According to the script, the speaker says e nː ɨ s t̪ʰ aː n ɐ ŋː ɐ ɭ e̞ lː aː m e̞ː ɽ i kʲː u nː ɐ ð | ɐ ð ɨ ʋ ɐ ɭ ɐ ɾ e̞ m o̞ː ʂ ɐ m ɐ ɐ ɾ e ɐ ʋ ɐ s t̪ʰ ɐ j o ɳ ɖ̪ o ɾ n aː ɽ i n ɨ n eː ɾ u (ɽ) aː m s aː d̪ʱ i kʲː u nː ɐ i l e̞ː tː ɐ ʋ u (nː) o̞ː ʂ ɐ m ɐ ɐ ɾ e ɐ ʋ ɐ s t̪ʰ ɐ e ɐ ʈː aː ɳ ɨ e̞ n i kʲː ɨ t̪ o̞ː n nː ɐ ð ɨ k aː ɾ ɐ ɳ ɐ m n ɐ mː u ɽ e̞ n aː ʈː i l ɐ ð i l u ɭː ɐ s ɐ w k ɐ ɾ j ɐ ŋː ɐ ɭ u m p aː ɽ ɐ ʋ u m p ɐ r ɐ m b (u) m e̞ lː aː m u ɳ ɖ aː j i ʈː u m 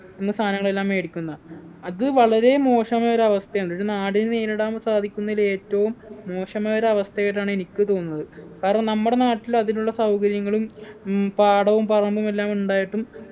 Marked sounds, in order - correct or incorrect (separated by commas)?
correct, incorrect, correct